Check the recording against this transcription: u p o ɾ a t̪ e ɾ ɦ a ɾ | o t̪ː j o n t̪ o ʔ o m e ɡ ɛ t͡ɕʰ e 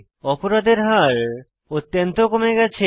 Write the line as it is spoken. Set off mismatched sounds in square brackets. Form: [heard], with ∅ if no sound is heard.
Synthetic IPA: [ɔ] p o ɾ a [d̪] e ɾ ɦ a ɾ | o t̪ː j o n t̪ o [k] o m e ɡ ɛ t͡ɕʰ e